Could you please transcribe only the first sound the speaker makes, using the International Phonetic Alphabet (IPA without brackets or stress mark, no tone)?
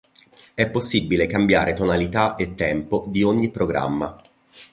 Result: ɛ